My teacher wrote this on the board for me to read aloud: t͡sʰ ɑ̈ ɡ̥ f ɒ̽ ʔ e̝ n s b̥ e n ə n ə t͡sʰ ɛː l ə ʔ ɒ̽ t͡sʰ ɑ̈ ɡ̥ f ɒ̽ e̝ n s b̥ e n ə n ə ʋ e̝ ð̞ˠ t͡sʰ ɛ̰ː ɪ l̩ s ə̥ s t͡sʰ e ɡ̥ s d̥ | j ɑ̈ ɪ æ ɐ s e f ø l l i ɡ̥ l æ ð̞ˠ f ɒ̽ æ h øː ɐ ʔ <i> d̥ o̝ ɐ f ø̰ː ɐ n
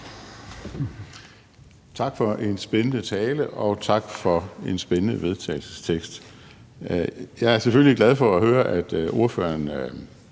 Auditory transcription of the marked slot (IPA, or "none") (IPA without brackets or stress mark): æ